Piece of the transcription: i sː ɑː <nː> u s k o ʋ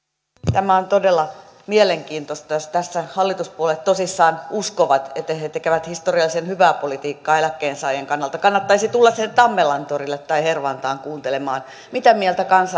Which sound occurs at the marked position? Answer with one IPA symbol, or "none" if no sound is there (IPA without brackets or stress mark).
n